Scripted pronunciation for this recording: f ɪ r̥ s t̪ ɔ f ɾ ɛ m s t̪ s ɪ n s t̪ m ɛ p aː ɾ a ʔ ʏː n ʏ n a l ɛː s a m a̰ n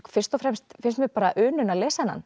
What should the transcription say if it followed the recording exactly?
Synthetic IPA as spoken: f ɪ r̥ s t̪ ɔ f ɾ ɛ m s t̪ f ɪ n s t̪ m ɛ p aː ɾ a ʔ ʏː n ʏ n a l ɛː s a n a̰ n